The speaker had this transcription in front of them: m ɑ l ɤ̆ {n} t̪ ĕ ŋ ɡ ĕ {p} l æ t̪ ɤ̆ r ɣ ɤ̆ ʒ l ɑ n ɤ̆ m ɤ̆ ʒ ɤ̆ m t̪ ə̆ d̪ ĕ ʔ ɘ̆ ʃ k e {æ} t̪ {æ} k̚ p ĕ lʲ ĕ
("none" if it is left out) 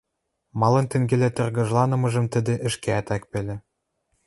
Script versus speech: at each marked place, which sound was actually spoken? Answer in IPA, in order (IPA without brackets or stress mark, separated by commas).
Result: n, none, æ, æ